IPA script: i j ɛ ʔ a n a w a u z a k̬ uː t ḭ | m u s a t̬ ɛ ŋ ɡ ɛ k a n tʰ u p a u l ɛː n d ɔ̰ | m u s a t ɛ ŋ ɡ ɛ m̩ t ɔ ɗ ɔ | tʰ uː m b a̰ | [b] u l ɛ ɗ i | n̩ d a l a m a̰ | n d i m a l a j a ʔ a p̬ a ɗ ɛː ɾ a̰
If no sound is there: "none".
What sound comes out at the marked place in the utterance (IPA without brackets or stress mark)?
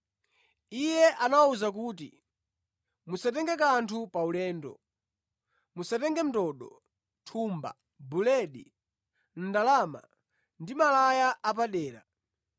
b